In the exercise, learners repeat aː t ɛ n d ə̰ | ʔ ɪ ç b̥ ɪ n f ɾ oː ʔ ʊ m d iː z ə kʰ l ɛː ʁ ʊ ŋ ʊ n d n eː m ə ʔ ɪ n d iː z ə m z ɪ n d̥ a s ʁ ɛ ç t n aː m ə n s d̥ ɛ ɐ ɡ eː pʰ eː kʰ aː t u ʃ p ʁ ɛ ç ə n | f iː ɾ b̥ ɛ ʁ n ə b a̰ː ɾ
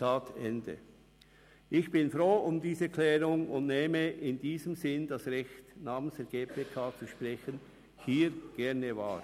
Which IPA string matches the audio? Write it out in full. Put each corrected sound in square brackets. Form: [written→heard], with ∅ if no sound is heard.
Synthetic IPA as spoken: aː t ɛ n d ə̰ | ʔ ɪ ç b̥ ɪ n f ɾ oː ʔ ʊ m d iː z ə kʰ l ɛː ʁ ʊ ŋ ʊ n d n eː m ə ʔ ɪ n d iː z ə m z ɪ n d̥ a s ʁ ɛ ç t n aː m ə n s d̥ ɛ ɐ ɡ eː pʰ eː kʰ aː [t→t͡s] u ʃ p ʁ ɛ ç ə n | [f→h] iː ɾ [b̥→ɡ̥] ɛ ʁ n ə [b→v] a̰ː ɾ